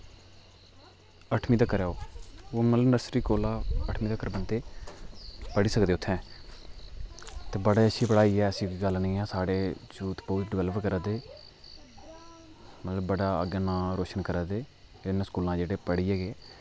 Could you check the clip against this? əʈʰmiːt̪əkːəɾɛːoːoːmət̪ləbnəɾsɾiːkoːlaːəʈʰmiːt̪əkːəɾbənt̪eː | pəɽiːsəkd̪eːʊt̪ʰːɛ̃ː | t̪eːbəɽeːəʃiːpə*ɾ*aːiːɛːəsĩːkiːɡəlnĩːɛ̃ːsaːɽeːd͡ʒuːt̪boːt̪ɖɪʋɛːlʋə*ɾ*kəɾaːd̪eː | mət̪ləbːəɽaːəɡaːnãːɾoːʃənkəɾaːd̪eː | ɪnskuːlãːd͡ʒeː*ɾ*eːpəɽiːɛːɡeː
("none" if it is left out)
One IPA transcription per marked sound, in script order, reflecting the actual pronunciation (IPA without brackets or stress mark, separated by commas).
ɽ, ɾ, ɽ